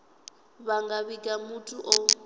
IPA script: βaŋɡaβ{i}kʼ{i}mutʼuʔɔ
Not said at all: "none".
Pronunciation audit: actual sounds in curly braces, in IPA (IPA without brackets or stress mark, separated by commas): i, a